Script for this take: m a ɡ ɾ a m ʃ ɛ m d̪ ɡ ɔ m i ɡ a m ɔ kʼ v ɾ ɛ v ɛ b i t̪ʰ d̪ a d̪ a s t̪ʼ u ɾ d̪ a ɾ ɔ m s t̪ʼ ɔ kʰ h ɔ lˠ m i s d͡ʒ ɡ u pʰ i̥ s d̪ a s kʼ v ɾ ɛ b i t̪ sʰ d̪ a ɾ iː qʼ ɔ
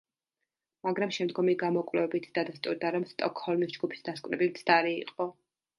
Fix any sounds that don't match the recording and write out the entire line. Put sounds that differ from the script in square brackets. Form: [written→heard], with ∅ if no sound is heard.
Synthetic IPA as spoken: m a ɡ ɾ a m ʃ ɛ m d̪ ɡ ɔ m i ɡ a m ɔ kʼ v [ɾ→l] ɛ v ɛ b i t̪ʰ d̪ a d̪ a s t̪ʼ u ɾ d̪ a ɾ ɔ m s t̪ʼ ɔ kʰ h ɔ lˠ m i s d͡ʒ ɡ u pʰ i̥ s d̪ a s kʼ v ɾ ɛ b i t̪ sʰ d̪ a ɾ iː qʼ ɔ